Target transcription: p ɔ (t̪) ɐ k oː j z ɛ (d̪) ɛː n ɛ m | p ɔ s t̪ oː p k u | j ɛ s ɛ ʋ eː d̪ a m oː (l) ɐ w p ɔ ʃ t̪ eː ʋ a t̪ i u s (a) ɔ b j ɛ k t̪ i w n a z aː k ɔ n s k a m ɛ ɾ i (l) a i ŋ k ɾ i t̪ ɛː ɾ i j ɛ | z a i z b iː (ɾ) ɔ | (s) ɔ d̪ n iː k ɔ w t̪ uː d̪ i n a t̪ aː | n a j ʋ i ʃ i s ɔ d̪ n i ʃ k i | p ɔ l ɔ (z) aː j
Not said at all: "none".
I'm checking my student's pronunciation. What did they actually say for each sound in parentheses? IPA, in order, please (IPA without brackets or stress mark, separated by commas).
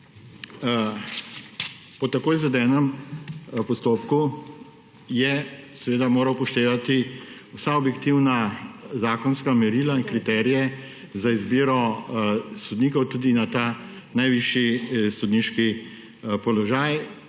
t̪, d̪, ɾ, a, l, ɾ, s, ʒ